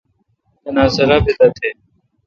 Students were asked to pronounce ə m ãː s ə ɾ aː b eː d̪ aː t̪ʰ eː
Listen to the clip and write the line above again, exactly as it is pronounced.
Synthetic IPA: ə n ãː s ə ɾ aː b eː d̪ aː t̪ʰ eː